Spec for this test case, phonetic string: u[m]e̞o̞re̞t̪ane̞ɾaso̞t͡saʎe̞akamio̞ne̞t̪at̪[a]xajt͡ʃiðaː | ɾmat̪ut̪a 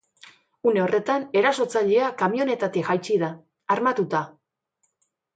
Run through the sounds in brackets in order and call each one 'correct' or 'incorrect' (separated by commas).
incorrect, incorrect